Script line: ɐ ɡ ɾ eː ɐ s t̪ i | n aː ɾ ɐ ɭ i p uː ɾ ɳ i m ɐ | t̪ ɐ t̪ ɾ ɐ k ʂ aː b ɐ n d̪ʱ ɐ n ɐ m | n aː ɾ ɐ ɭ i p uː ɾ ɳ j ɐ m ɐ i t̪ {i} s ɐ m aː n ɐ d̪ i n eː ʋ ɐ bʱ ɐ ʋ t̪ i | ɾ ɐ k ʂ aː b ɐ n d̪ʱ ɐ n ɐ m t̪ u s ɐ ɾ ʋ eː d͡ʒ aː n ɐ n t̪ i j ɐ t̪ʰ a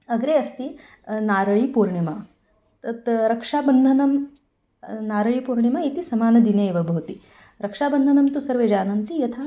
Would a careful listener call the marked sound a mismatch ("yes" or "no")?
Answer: no